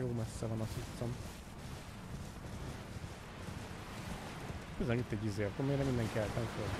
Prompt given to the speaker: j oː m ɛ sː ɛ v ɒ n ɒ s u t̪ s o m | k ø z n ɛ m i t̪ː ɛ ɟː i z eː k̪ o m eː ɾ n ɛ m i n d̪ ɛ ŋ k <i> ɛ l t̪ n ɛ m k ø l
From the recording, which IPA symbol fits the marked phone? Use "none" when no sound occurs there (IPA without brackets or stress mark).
i